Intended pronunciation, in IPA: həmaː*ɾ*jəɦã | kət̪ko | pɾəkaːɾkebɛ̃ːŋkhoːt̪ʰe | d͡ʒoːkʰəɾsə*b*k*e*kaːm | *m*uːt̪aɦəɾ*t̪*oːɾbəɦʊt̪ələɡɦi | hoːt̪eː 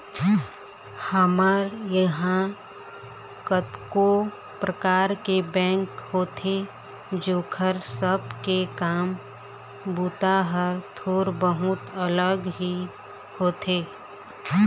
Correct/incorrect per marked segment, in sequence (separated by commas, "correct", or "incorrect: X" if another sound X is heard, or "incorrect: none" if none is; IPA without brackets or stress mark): correct, correct, correct, incorrect: b, incorrect: t̪ʰ